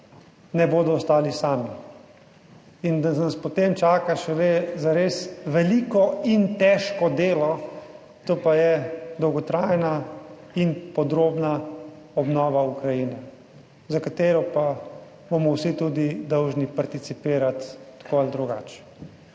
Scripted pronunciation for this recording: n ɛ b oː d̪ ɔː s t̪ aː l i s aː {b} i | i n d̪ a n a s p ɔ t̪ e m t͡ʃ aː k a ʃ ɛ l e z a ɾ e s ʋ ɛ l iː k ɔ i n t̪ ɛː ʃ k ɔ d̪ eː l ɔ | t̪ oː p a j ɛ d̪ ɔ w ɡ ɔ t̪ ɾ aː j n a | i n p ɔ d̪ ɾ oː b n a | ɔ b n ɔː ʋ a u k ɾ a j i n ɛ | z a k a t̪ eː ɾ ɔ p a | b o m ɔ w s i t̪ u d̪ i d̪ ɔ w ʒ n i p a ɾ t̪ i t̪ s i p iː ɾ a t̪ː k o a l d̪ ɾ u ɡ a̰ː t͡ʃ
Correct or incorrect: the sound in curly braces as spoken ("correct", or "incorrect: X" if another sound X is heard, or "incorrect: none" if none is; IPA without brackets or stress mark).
incorrect: m